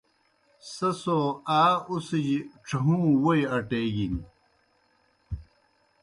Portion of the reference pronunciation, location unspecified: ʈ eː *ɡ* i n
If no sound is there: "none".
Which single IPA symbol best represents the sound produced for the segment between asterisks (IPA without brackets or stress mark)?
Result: ɡ